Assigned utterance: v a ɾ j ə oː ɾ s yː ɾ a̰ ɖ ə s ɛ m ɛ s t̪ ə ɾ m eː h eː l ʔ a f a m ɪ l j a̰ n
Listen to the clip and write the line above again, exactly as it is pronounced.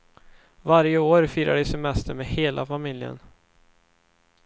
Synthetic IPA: v a ɾ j ə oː ɾ f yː ɾ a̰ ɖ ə s ɛ m ɛ s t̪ ə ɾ m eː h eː l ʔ a f a m ɪ l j ə̰ n